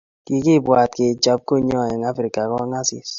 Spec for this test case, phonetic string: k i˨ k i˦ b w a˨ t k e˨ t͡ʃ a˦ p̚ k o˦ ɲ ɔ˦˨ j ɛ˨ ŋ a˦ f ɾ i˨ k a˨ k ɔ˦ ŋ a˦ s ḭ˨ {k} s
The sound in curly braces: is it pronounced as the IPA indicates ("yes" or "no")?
no